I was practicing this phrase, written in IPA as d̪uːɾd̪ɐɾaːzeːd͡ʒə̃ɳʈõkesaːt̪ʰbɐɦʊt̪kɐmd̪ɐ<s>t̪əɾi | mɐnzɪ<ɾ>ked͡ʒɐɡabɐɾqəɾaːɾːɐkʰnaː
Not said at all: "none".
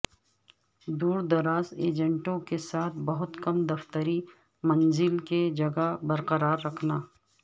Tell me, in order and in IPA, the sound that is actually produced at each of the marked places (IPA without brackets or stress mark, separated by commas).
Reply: f, l